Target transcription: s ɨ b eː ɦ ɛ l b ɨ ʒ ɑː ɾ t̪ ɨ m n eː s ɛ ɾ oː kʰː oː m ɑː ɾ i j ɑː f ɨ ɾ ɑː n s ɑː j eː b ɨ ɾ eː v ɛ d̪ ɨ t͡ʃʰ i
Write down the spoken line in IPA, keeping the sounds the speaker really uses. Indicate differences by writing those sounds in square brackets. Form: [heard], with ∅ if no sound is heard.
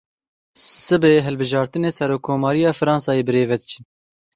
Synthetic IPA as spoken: s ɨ b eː ɦ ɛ l b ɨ ʒ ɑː ɾ t̪ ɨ [∅] n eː s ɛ ɾ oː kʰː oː m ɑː ɾ i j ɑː f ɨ ɾ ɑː n s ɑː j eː b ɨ ɾ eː v ɛ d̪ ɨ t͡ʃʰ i